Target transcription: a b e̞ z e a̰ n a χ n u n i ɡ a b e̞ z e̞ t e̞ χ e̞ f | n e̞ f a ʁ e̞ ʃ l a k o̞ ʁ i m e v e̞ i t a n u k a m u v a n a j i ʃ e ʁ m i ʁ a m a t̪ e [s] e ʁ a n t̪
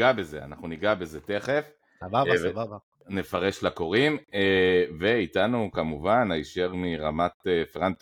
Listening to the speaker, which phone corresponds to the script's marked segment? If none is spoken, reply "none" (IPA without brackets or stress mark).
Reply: f